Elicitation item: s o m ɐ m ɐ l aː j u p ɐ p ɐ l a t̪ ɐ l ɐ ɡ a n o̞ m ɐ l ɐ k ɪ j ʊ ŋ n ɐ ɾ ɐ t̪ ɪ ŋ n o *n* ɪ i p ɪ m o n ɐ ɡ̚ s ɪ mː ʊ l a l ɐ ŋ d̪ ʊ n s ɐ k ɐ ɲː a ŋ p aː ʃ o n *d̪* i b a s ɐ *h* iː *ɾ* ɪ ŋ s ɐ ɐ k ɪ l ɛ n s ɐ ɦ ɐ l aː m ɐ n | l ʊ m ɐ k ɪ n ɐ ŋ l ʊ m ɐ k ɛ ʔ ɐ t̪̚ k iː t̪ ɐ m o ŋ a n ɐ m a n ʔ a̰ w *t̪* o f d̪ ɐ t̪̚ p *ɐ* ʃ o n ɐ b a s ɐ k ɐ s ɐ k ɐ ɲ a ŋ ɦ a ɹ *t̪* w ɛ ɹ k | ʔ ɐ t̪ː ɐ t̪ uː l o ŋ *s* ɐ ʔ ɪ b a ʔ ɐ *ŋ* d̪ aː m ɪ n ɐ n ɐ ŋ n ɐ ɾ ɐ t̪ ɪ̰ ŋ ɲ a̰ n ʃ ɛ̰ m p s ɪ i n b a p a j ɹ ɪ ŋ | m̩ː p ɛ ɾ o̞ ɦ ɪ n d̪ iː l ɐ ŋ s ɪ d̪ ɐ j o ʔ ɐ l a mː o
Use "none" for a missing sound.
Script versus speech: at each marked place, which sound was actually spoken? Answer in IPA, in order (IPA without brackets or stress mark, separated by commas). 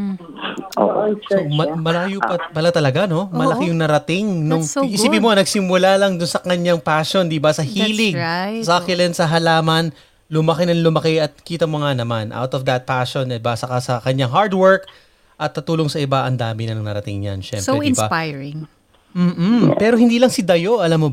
ŋ, d̪, h, l, t̪, a, d̪, s, n